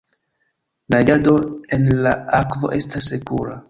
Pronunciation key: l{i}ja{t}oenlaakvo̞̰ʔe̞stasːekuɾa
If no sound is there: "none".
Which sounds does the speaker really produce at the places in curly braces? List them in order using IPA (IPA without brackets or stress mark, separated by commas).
a, d